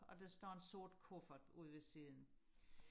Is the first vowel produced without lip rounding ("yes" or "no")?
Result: no